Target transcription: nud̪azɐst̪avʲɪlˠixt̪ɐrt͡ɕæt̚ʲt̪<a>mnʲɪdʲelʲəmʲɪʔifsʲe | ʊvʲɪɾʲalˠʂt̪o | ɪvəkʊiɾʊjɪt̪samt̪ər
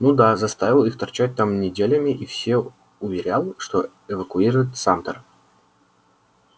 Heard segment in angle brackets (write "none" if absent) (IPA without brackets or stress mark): a